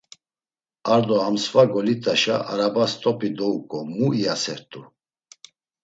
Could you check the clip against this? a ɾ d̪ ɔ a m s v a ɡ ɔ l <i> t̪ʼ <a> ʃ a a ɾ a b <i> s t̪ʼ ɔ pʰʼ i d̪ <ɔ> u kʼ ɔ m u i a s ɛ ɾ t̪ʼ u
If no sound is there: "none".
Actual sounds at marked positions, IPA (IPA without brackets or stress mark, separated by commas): i, a, a, ɔ